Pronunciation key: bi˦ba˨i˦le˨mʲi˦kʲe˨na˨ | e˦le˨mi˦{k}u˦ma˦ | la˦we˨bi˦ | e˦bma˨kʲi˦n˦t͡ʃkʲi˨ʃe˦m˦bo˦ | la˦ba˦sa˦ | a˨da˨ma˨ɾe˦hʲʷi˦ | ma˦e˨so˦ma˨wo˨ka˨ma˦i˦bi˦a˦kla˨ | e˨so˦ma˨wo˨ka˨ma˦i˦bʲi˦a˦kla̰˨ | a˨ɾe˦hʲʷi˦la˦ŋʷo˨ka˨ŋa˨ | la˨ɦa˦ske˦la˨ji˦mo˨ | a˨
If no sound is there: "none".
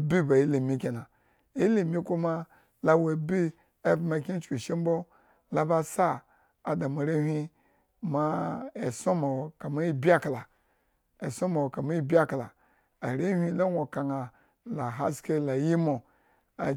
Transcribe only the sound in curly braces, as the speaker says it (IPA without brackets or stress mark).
k